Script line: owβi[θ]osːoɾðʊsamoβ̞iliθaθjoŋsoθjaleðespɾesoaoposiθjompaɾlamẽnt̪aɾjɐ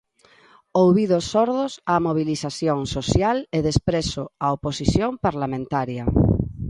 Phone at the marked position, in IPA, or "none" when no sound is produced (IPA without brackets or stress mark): ð